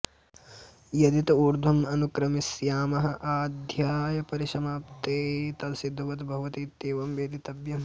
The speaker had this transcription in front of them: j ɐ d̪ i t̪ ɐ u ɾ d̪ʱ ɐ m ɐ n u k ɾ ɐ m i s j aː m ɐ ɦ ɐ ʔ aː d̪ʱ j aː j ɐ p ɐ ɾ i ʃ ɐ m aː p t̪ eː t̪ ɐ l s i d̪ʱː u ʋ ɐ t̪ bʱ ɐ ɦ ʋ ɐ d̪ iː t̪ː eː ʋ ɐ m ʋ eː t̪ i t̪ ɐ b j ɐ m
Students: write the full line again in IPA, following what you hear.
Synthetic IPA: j ɐ d̪ i t̪ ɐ u ɾ d̪ʱ ɐ m ɐ n u k ɾ ɐ m i s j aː m ɐ ɦ ɐ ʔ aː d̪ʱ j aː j ɐ p ɐ ɾ i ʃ ɐ m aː p t̪ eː t̪ ɐ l s i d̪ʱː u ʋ ɐ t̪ bʱ ɐ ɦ ʋ ɐ t̪ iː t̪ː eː ʋ ɐ m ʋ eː d̪ i t̪ ɐ b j ɐ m

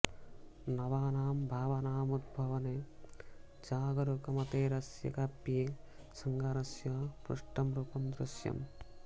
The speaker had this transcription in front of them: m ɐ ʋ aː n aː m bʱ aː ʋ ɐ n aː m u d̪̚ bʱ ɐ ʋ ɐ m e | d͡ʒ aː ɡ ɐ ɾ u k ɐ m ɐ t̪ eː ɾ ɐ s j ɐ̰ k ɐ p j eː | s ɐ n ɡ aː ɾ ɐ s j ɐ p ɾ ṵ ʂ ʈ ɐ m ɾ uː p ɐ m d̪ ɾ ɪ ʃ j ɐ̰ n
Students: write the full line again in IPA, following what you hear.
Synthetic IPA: n ɐ ʋ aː n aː m bʱ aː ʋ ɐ n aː m u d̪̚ bʱ ɐ ʋ ɐ n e | d͡ʒ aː ɡ ɐ ɾ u k ɐ m ɐ t̪ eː ɾ ɐ s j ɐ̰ k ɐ p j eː | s ɐ ŋ ɡ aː ɾ ɐ s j ɐ p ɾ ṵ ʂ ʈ ɐ m ɾ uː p ɐ m d̪ ɾ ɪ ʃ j ɐ̰ m

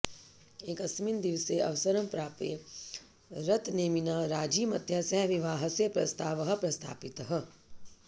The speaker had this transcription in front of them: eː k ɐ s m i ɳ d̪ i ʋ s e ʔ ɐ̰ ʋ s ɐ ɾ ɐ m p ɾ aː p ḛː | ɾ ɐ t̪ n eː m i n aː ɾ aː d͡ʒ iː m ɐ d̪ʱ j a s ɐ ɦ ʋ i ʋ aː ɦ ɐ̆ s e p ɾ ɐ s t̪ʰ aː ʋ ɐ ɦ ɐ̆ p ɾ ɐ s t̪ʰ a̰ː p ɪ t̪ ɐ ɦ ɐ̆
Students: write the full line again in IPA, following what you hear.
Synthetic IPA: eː k ɐ s m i n d̪ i ʋ s e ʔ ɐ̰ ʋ s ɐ ɾ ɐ m p ɾ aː p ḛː | ɾ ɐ t̪ n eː m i n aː ɾ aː d͡ʒ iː m ɐ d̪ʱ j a s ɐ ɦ ʋ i ʋ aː ɦ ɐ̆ s e p ɾ ɐ s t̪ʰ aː ʋ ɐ ɦ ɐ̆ p ɾ ɐ s t̪ʰ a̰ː p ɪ t̪ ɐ ɦ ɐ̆

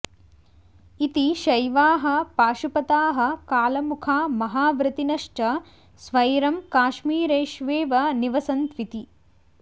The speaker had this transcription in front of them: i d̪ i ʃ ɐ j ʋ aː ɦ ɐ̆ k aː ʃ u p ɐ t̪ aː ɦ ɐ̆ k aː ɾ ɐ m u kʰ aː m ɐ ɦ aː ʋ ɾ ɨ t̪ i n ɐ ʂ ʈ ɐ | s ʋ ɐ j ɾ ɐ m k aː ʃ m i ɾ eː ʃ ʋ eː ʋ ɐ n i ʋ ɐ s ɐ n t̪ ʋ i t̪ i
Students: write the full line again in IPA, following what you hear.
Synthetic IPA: i t̪ i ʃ ɐ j ʋ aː ɦ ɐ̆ p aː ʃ u p ɐ t̪ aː ɦ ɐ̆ k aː l ɐ m u kʰ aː m ɐ ɦ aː ʋ ɾ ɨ t̪ i n ɐ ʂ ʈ ɐ | s ʋ ɐ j ɾ ɐ m k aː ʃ m iː ɾ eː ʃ ʋ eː ʋ ɐ n i ʋ ɐ s ɐ n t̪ ʋ i t̪ i

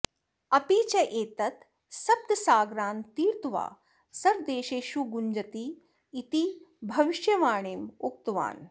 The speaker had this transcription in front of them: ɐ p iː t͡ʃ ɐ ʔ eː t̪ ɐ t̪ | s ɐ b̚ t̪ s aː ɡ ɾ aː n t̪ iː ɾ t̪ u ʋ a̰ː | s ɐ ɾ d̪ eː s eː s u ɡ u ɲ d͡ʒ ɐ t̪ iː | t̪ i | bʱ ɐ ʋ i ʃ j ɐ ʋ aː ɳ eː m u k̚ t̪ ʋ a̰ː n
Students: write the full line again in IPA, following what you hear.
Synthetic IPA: ɐ p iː t͡ʃ ɐ ʔ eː t̪ ɐ t̪ | s ɐ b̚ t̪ s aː ɡ ɾ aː n t̪ iː ɾ t̪ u ʋ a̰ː | s ɐ ɾ d̪ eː ʃ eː ʃ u ɡ u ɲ d͡ʒ ɐ t̪ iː | t̪ i | bʱ ɐ ʋ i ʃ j ɐ ʋ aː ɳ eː m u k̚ t̪ ʋ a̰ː n

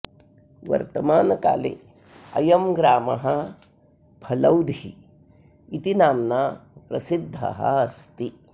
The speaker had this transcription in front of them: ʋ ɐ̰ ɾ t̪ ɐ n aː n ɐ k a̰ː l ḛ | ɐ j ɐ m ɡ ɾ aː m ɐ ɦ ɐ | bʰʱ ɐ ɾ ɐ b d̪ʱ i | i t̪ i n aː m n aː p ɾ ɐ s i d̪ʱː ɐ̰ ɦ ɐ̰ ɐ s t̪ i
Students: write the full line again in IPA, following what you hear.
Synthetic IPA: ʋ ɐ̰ ɾ t̪ ɐ m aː n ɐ k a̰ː l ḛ | ɐ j ɐ m ɡ ɾ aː m ɐ ɦ ɐ | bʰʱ ɐ l ɐ w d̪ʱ i | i t̪ i n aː m n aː p ɾ ɐ s i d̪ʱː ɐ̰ ɦ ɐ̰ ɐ s t̪ i

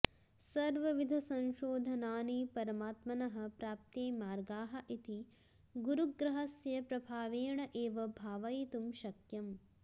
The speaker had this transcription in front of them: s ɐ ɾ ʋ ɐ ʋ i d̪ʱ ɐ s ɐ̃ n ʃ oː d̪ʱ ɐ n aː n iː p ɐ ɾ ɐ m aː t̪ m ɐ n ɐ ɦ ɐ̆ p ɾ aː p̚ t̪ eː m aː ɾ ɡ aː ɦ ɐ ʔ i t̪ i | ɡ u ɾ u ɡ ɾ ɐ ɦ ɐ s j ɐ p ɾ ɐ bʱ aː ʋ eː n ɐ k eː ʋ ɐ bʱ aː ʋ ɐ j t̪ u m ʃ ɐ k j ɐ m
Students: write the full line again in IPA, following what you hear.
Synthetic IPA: s ɐ ɾ ʋ ɐ ʋ i d̪ʱ ɐ s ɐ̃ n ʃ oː d̪ʱ ɐ n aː n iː p ɐ ɾ ɐ m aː t̪ m ɐ n ɐ ɦ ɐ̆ p ɾ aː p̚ t̪ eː m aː ɾ ɡ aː ɦ ɐ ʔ i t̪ i | ɡ u ɾ u ɡ ɾ ɐ ɦ ɐ s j ɐ p ɾ ɐ bʱ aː ʋ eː ɳ ɐ ʔ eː ʋ ɐ bʱ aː ʋ ɐ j t̪ u m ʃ ɐ k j ɐ m

